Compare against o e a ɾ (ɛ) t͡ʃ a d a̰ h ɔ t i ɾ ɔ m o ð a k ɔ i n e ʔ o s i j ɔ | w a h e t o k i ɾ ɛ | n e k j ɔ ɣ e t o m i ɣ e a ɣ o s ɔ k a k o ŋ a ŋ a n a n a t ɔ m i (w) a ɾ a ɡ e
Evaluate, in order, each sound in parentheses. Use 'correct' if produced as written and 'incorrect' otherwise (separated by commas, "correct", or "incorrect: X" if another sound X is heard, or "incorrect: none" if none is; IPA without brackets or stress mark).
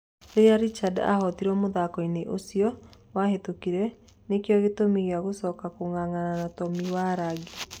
incorrect: i, correct